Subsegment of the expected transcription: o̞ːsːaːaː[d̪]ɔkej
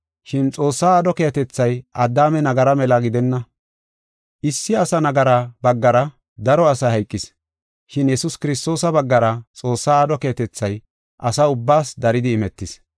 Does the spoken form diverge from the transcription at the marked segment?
no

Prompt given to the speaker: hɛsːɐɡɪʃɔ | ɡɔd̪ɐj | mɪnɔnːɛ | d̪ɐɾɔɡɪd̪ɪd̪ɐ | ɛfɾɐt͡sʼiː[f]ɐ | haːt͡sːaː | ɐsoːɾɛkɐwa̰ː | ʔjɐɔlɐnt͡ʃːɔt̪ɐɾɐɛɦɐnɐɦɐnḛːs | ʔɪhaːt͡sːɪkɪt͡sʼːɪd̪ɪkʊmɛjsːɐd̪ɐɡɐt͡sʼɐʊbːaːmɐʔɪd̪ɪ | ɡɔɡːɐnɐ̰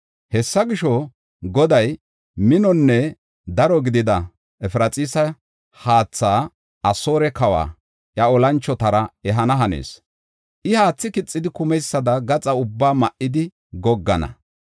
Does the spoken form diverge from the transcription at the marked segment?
yes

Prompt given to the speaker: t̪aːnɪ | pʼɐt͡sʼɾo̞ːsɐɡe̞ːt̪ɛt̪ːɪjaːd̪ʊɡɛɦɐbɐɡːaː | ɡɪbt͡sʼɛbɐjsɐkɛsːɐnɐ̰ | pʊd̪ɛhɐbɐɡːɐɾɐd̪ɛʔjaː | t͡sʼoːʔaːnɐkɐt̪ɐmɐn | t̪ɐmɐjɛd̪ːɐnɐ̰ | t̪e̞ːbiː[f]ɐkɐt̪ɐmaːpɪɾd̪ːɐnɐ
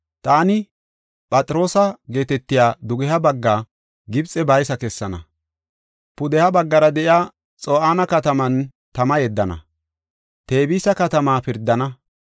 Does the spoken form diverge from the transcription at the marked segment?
yes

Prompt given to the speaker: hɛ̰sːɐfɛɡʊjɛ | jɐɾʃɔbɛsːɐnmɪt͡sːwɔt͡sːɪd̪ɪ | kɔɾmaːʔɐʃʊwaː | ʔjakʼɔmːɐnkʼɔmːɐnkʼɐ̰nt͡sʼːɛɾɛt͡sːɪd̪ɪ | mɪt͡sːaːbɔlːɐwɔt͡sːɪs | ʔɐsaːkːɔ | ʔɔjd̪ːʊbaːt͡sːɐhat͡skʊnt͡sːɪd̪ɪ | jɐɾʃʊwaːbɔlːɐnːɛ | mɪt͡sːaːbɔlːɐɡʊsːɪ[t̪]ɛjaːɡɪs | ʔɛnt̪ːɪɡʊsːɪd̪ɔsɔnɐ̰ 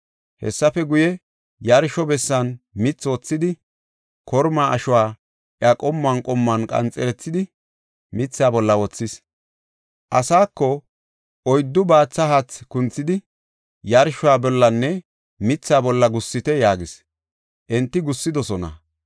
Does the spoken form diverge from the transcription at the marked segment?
no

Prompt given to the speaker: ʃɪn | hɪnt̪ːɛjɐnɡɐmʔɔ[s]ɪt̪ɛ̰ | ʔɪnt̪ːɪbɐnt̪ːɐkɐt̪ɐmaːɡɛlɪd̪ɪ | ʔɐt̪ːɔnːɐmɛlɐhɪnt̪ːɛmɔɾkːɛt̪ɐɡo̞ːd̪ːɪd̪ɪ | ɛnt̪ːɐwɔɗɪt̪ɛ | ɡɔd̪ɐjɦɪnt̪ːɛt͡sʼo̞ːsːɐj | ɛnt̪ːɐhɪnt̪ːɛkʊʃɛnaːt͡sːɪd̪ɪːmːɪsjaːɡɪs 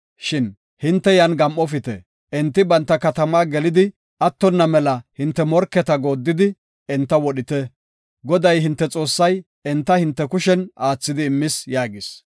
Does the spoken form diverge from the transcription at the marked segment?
yes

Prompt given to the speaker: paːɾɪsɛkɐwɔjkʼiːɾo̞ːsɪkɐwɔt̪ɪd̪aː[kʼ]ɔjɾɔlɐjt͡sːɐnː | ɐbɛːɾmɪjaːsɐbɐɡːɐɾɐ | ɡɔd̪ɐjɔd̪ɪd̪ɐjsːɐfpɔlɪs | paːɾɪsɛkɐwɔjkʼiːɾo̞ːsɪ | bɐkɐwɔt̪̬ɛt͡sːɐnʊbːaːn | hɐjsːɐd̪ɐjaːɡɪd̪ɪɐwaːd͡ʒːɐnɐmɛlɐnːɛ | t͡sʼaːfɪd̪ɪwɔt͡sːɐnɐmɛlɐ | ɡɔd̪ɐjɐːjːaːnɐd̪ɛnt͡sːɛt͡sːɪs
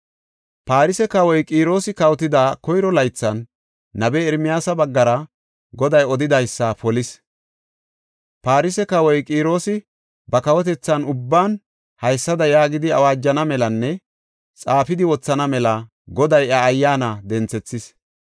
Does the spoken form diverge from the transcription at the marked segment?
yes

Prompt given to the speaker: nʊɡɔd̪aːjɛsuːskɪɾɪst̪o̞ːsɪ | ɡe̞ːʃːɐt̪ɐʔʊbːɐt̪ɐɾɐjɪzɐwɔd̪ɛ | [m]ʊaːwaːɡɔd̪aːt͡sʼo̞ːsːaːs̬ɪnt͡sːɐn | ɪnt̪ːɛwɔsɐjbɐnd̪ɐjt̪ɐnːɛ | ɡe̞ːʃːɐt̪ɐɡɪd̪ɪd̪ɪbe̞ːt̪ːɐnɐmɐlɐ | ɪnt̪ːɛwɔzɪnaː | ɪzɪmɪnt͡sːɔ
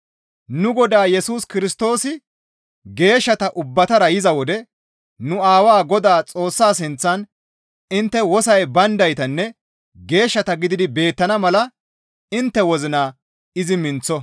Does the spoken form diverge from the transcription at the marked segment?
yes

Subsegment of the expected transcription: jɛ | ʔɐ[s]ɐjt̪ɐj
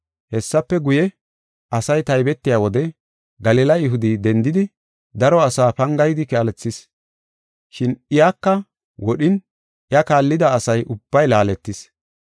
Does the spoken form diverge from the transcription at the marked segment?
no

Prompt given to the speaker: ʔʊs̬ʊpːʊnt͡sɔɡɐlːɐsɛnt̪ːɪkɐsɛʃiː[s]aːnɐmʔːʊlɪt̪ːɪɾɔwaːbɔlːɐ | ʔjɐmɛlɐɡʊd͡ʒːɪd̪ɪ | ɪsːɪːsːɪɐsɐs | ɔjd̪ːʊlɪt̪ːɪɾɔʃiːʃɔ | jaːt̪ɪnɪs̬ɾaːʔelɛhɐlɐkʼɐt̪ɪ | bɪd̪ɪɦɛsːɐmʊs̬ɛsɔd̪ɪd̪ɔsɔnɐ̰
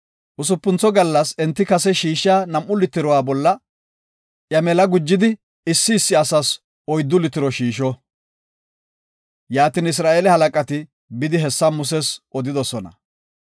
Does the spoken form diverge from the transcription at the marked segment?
yes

